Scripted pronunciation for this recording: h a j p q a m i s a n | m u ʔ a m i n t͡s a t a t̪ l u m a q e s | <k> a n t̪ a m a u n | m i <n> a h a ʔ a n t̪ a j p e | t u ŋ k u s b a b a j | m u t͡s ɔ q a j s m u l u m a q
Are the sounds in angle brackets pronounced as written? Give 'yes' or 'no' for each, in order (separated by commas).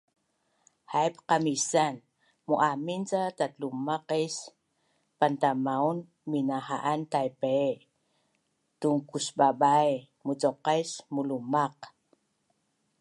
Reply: no, yes